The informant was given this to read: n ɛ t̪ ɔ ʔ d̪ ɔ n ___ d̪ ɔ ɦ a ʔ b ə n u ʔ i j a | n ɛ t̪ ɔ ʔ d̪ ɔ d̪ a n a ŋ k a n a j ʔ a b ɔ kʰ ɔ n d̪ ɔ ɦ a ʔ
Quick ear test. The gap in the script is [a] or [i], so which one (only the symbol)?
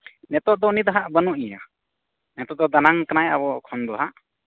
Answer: i